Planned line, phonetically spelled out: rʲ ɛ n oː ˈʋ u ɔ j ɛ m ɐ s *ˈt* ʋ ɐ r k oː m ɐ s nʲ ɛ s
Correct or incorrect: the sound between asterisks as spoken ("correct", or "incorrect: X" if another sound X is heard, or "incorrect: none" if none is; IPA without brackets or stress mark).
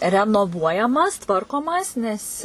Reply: correct